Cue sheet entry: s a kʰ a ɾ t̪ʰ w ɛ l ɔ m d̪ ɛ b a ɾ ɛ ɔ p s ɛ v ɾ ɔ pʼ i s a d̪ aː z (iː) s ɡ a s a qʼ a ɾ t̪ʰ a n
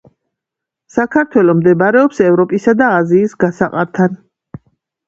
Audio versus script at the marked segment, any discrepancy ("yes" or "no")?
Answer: no